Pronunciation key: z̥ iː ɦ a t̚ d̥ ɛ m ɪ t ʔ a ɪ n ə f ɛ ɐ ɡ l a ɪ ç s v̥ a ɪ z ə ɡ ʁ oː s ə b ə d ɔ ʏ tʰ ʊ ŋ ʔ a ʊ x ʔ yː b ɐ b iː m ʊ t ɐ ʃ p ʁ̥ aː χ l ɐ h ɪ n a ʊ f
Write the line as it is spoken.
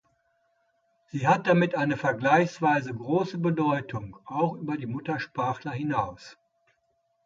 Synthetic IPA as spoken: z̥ iː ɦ a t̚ d̥ a m ɪ t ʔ a ɪ n ə f ɛ ɐ ɡ l a ɪ ç s v̥ a ɪ z ə ɡ ʁ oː s ə b ə d ɔ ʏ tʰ ʊ ŋ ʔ a ʊ x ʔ yː b ɐ d iː m ʊ t ɐ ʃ p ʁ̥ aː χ l ɐ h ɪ n a ʊ s